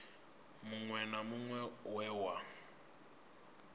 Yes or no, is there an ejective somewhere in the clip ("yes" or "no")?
no